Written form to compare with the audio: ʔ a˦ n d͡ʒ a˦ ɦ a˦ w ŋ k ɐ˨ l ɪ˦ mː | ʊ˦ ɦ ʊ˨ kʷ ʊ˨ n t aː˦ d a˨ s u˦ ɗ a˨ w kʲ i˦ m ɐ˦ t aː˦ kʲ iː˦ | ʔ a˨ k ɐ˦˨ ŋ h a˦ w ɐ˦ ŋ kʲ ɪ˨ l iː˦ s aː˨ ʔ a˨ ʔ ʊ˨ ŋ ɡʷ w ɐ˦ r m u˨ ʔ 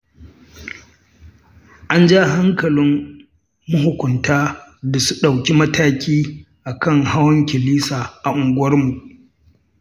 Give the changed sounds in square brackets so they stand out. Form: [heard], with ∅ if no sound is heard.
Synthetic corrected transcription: ʔ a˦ n d͡ʒ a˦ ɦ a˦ [∅] ŋ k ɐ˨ l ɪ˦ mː | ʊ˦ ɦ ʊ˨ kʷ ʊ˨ n t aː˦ d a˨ s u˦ ɗ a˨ w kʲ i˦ m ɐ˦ t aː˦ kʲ iː˦ | ʔ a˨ k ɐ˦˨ ŋ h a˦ w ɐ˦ ŋ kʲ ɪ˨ l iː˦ s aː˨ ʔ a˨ ʔ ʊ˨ ŋ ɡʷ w ɐ˦ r m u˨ ʔ

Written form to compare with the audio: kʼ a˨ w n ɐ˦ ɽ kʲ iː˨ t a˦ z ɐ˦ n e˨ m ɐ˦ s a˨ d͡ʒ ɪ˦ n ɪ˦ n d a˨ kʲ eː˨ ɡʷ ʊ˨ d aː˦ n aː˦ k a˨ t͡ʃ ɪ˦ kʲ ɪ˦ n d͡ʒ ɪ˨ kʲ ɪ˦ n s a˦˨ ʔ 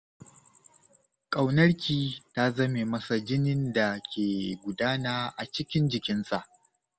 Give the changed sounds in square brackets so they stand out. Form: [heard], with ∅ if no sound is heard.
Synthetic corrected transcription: kʼ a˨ w n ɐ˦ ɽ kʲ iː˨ t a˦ z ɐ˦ [m] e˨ m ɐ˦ s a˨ d͡ʒ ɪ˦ n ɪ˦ n d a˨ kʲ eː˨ ɡʷ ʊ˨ d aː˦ n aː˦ [ʔ] a˨ t͡ʃ ɪ˦ kʲ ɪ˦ n d͡ʒ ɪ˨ kʲ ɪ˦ n s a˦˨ ʔ

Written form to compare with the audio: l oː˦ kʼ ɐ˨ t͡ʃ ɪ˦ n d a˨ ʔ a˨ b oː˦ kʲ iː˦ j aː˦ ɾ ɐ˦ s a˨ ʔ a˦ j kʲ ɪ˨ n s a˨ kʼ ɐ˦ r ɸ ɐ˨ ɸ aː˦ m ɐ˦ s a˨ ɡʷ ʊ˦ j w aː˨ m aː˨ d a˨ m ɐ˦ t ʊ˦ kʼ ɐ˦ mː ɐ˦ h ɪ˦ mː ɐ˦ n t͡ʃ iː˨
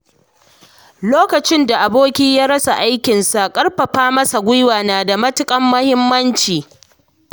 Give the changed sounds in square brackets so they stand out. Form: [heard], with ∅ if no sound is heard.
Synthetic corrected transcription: l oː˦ [k] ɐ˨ t͡ʃ ɪ˦ n d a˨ ʔ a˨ b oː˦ kʲ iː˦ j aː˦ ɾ ɐ˦ s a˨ ʔ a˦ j kʲ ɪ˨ n s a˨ kʼ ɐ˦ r ɸ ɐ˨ ɸ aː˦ m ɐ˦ s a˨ ɡʷ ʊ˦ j w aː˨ [n] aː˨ d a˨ m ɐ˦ t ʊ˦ kʼ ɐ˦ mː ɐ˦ h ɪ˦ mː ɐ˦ n t͡ʃ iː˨

